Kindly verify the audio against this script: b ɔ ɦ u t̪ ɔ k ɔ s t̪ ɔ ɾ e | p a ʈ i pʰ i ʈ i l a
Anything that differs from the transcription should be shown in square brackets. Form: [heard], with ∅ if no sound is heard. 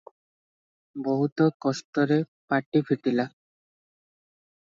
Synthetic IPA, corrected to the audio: b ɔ ɦ u t̪ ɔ k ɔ s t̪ ɔ ɾ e | p a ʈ i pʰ i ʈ i l a